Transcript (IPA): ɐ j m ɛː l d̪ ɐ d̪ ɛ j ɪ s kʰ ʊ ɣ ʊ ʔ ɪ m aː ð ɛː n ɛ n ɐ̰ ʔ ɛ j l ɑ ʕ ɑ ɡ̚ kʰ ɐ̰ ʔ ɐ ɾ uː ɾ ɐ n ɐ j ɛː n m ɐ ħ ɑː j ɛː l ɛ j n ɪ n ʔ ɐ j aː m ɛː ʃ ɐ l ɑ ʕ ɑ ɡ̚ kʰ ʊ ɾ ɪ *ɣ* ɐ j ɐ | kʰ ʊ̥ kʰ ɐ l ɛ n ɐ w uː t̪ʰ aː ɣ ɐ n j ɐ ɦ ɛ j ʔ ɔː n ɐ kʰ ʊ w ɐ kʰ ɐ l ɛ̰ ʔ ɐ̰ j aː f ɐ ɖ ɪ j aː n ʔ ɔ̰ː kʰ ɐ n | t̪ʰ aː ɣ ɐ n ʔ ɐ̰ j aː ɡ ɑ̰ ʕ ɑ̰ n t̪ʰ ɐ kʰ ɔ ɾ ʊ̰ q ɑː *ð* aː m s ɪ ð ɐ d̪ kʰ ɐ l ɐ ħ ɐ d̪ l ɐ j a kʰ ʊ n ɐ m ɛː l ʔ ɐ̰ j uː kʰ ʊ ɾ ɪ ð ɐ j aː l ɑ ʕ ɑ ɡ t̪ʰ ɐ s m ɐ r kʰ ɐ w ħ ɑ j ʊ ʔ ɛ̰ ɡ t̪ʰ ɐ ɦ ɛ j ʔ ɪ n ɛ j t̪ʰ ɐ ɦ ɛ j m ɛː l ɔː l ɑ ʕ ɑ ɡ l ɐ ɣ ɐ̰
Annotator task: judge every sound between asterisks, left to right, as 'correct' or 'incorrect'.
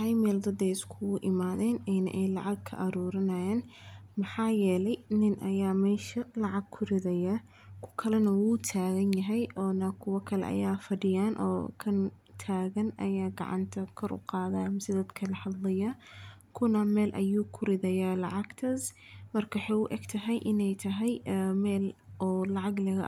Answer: incorrect: ð, correct

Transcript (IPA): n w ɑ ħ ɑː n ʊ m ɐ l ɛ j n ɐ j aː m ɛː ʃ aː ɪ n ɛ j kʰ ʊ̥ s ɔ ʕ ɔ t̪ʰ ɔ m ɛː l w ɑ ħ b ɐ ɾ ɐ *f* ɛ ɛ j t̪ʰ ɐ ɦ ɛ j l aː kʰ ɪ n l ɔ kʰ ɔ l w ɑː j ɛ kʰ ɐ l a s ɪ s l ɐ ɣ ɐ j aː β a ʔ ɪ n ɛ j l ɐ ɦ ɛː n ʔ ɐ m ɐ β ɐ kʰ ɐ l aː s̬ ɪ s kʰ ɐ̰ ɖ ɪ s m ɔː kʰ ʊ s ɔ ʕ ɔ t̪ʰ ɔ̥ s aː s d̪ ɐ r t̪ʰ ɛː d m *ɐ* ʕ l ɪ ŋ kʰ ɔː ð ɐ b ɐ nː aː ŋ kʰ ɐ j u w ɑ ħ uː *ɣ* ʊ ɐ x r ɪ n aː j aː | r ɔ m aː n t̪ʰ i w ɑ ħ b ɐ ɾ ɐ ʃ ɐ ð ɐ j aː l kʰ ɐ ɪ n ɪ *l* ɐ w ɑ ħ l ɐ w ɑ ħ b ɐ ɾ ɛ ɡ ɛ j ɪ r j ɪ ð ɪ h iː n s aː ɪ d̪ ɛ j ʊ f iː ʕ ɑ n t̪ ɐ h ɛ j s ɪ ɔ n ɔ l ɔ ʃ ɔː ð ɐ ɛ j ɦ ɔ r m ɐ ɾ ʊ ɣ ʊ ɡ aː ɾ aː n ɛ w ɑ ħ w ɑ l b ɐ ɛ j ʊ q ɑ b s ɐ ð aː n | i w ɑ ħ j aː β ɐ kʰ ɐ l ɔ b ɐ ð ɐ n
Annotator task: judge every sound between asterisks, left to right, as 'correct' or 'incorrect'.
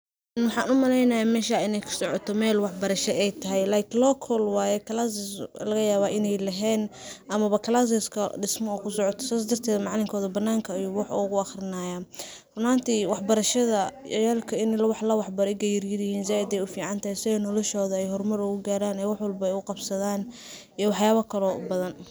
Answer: incorrect: ʃ, incorrect: ɑ, correct, correct

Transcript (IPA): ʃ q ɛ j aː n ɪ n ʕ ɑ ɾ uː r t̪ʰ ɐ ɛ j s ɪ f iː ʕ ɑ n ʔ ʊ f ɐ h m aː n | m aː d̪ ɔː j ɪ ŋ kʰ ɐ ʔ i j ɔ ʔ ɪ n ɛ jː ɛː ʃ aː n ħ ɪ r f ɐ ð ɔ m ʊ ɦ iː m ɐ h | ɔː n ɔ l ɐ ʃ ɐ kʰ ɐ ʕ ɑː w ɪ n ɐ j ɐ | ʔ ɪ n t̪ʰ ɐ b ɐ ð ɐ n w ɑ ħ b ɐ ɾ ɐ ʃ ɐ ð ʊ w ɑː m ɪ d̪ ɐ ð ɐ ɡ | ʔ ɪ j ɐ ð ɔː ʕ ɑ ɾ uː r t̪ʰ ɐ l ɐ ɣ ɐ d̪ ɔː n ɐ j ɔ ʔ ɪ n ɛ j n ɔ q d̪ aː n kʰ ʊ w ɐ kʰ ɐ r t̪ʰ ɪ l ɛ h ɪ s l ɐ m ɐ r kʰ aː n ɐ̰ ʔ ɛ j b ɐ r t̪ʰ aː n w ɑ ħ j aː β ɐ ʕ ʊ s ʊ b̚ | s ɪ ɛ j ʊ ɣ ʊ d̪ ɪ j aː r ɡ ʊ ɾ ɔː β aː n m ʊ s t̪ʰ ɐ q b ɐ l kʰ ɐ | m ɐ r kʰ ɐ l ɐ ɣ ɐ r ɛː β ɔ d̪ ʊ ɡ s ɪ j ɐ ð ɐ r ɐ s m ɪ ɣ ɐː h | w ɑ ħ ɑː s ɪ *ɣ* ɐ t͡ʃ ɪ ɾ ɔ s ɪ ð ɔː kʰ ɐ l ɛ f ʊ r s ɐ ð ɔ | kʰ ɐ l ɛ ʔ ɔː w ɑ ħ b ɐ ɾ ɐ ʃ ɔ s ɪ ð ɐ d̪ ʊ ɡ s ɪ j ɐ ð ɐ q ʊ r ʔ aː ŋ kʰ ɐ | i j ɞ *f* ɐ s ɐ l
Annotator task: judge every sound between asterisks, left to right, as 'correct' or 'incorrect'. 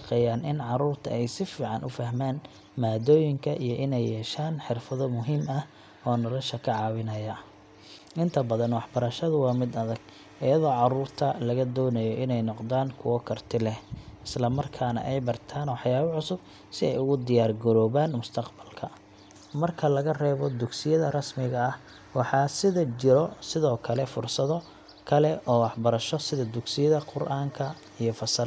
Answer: incorrect: ð, correct

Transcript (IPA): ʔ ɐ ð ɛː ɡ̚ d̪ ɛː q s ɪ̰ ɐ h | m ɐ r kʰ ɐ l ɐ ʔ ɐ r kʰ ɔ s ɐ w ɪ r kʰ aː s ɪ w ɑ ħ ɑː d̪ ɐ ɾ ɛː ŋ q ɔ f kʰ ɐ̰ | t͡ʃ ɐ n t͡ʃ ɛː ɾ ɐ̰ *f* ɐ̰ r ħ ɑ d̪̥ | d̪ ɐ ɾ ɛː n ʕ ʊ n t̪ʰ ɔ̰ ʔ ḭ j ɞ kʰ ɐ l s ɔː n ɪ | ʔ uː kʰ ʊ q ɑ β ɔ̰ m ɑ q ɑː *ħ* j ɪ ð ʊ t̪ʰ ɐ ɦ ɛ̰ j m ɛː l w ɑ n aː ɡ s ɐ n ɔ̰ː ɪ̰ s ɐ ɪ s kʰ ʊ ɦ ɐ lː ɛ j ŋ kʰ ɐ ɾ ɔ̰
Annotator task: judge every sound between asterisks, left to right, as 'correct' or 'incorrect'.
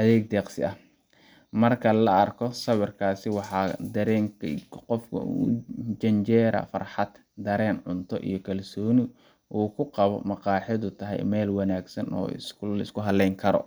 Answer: correct, correct

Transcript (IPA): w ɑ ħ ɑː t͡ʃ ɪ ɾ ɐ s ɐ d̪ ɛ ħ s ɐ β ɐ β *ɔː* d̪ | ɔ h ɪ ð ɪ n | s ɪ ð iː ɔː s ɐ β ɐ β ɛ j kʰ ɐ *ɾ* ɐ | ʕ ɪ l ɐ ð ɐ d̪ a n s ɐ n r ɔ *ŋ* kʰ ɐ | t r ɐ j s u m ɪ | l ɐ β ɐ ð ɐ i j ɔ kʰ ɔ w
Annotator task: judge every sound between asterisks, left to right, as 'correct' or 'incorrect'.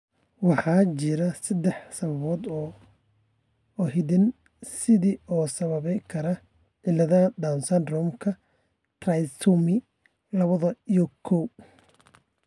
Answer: correct, correct, incorrect: m

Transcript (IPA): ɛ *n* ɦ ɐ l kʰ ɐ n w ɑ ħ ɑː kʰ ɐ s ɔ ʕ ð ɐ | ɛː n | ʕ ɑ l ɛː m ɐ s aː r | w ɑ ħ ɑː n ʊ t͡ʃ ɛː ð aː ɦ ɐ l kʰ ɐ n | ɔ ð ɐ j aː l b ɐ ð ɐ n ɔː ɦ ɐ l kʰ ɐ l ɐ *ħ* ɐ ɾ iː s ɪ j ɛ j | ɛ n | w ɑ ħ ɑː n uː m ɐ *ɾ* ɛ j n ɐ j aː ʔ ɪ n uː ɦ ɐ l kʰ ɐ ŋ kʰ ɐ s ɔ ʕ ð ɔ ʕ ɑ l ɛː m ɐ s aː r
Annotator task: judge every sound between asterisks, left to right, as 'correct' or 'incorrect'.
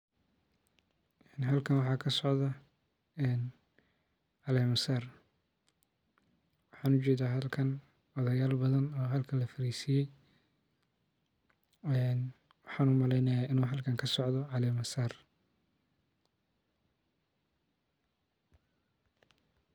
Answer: correct, incorrect: f, incorrect: l

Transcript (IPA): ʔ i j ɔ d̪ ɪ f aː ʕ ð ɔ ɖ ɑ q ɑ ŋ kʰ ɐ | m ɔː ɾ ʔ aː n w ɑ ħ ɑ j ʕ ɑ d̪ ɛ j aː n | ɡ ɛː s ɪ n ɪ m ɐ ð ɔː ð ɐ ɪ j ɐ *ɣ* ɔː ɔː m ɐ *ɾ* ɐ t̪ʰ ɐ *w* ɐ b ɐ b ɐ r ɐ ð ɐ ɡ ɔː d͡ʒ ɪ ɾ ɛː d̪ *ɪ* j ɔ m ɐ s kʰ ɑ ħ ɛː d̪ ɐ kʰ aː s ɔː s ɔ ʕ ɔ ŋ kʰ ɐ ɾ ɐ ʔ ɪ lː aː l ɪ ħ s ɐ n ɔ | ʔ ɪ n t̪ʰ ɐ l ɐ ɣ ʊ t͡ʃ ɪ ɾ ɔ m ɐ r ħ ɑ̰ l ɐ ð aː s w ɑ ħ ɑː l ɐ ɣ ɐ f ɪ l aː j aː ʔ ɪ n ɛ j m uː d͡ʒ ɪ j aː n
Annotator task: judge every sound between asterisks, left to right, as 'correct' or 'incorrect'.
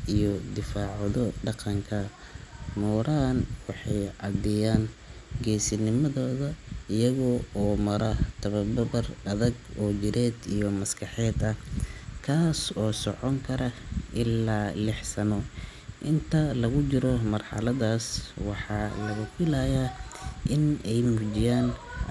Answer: correct, correct, incorrect: β, incorrect: i

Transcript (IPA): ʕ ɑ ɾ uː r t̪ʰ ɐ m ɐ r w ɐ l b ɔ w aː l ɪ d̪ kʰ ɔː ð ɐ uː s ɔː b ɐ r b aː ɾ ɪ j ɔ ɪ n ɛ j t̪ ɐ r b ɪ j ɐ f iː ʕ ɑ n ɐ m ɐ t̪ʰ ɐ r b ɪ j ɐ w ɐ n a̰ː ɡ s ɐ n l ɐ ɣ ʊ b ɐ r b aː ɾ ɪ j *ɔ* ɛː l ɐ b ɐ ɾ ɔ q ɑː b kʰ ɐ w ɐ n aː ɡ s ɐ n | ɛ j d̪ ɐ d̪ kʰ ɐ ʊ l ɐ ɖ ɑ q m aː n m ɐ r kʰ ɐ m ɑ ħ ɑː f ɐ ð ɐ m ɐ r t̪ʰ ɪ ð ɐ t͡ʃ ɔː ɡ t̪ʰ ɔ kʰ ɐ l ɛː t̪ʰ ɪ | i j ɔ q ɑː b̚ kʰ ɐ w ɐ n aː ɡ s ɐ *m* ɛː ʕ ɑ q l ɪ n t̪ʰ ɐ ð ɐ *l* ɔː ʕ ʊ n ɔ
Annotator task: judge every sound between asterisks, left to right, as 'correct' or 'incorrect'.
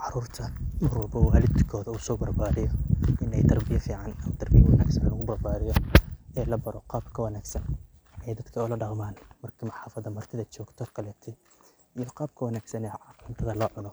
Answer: correct, incorrect: n, correct

